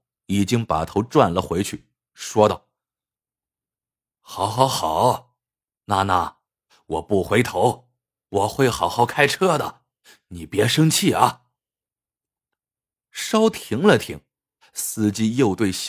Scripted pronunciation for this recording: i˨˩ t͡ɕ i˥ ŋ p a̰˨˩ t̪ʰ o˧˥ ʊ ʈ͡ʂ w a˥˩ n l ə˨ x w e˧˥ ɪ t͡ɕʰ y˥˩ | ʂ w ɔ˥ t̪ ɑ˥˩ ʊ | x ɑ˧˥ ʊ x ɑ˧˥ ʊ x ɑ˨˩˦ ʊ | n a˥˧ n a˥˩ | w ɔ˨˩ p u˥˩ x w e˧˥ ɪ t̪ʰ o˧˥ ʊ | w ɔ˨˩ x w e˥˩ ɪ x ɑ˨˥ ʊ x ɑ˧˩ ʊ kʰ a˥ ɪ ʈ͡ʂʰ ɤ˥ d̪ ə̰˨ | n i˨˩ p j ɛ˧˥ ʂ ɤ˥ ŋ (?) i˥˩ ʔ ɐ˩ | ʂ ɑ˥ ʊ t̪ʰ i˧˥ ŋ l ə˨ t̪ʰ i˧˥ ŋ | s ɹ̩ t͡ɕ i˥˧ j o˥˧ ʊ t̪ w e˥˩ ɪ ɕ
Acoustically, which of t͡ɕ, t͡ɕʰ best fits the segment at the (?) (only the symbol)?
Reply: t͡ɕʰ